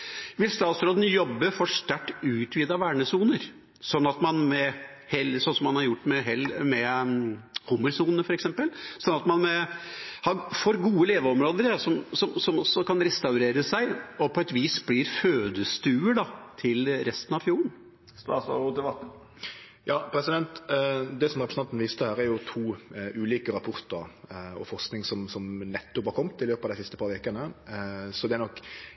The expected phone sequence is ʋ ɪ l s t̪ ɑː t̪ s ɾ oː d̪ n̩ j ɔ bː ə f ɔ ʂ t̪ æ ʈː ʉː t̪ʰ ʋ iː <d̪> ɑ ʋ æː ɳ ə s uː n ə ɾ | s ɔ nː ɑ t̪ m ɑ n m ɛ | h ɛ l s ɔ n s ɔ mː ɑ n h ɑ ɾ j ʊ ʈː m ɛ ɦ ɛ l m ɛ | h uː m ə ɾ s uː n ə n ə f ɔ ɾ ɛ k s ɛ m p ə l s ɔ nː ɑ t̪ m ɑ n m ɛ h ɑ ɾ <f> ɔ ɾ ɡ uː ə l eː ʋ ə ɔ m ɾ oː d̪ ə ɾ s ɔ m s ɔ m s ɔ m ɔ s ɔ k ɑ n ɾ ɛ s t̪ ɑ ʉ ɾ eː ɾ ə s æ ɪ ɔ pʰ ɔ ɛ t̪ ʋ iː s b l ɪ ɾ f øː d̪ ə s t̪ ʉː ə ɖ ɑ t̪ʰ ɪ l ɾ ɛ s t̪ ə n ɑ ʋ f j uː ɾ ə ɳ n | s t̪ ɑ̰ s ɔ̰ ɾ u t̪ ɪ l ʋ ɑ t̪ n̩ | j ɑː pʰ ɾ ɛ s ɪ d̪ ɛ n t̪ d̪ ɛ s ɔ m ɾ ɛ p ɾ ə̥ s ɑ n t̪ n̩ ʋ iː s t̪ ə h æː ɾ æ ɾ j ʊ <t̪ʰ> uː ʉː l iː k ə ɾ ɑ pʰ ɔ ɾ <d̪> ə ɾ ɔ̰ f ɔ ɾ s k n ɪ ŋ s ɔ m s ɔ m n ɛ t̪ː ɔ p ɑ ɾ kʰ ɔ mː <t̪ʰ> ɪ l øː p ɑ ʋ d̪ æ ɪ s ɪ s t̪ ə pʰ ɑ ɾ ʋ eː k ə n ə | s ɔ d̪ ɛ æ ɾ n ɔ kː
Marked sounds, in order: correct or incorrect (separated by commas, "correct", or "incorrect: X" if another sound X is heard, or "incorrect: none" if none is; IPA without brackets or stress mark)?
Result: correct, correct, correct, incorrect: t̪, incorrect: t̪